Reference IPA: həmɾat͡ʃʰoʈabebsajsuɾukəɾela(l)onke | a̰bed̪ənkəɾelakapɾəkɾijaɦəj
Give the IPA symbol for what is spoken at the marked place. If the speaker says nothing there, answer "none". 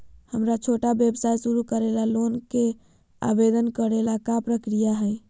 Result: l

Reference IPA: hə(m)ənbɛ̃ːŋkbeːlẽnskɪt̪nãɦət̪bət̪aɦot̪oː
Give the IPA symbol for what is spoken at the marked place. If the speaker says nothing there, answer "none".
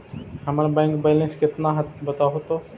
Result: m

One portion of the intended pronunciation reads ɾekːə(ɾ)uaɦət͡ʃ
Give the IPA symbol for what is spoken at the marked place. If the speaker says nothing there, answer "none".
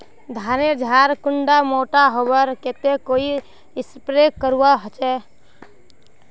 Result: ɾ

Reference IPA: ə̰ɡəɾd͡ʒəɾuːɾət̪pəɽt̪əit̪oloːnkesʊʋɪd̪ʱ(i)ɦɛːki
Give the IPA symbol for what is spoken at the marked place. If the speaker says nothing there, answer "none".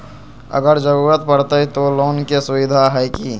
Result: a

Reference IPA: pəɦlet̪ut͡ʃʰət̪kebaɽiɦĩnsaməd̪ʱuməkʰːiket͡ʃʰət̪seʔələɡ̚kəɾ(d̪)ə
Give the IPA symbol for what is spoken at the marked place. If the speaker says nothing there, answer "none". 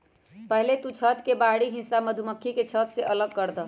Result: d̪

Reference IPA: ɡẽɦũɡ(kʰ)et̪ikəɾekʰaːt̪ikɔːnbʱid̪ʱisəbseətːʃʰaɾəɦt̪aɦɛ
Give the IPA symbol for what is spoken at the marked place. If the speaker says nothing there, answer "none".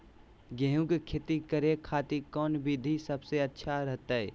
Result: kʰ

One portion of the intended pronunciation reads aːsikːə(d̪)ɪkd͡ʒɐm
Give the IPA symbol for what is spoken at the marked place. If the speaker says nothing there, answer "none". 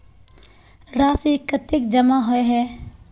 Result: t̪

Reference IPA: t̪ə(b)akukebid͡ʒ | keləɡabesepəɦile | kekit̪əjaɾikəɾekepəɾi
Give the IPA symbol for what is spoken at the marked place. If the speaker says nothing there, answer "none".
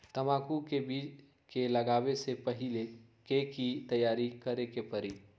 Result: m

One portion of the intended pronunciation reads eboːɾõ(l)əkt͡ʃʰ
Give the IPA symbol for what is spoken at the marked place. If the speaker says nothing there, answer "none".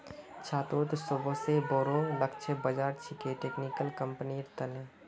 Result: l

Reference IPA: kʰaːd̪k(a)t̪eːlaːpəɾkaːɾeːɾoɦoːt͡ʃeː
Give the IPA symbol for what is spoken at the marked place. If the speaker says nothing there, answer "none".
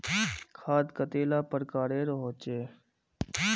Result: ə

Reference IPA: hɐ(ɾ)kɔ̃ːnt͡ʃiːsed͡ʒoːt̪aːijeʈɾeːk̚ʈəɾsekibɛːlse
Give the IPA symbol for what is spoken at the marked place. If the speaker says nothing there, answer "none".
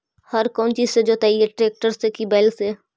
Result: ɾ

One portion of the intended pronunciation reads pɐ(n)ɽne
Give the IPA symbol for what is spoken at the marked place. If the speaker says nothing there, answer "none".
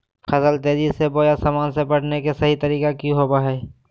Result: none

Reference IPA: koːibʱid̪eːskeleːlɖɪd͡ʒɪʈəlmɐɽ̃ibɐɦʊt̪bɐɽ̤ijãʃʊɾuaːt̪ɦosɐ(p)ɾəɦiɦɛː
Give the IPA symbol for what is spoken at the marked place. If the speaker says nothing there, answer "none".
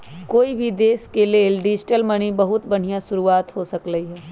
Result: k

